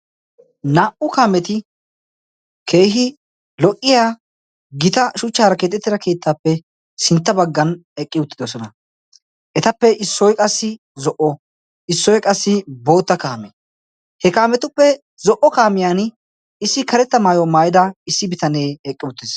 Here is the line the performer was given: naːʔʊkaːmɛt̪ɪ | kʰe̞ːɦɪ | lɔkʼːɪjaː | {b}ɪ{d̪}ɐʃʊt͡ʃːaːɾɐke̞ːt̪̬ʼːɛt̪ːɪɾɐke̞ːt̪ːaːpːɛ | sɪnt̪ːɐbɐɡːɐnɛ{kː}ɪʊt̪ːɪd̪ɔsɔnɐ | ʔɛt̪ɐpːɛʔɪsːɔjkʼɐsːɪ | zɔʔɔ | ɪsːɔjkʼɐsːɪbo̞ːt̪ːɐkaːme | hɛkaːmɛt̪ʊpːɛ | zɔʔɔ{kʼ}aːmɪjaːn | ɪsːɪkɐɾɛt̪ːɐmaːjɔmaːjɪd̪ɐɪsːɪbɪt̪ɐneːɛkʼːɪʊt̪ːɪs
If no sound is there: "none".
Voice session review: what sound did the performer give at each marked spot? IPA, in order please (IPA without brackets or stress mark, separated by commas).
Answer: ɡ, t̪, kʼː, k